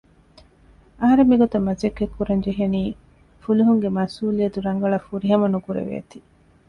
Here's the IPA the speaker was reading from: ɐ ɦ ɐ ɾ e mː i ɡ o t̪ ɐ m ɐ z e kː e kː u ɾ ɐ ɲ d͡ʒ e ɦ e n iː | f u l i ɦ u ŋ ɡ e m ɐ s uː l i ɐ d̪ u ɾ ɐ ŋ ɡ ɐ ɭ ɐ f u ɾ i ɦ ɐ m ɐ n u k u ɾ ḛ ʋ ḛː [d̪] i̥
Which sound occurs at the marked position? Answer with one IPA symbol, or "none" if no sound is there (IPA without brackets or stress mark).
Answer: t̪